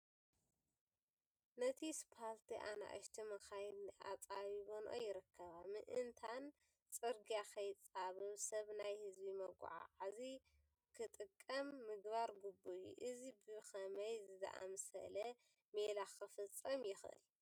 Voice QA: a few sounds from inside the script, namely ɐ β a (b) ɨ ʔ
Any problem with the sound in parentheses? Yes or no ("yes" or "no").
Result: yes